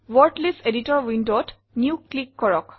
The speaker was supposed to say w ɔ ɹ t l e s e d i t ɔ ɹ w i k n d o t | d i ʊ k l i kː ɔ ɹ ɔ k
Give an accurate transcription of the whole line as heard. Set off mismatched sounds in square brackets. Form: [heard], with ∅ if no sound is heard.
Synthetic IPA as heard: w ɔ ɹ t l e s e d i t ɔ ɹ w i [∅] n d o t | [n] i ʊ k l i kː ɔ ɹ ɔ k